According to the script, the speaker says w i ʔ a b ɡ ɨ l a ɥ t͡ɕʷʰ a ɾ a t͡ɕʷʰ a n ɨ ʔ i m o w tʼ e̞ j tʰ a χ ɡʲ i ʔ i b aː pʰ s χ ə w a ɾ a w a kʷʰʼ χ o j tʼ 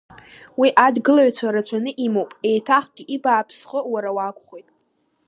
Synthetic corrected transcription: w i ʔ a d ɡ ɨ l a ɥ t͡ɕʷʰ a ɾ a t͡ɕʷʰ a n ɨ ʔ i m o w pʼ e̞ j tʰ a χ ɡʲ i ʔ i b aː pʰ s χ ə w a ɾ a w a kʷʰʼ χ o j tʼ

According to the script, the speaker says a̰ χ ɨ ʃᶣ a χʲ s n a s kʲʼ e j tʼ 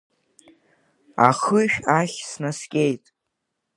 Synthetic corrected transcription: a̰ χ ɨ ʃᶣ a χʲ s n a s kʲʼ e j tʼ

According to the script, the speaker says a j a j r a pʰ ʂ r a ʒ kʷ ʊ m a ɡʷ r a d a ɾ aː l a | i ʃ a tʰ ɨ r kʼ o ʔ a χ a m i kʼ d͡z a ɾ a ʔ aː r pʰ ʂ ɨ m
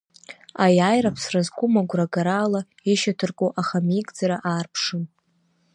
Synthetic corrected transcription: a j a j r a pʰ s r a z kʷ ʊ m a ɡʷ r a ɡ a ɾ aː l a | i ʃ a tʰ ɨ r kʼ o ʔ a χ a m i kʼ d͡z a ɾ a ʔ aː r pʰ ʂ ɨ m

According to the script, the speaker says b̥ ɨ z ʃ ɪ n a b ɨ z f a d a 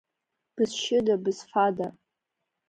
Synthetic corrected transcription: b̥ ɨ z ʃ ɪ d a b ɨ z f a d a

